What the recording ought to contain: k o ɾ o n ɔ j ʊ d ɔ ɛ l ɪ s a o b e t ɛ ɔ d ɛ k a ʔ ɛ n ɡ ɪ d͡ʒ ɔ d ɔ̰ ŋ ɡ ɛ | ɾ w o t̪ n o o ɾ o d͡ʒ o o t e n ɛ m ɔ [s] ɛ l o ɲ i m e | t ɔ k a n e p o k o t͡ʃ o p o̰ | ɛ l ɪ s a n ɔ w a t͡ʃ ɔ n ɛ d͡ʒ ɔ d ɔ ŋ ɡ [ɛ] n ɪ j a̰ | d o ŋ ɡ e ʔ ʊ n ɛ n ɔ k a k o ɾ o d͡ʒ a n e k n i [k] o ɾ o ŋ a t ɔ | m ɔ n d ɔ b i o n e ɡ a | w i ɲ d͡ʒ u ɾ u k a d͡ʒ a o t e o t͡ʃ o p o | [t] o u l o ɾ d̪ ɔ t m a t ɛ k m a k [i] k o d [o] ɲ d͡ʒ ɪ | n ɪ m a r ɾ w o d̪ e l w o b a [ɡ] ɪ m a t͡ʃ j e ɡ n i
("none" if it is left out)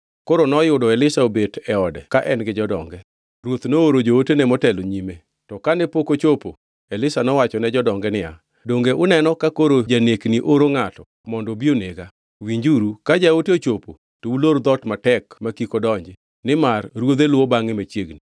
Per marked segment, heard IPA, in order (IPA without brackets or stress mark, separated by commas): t, ɛ, ʔ, t, i, ɔ, ŋ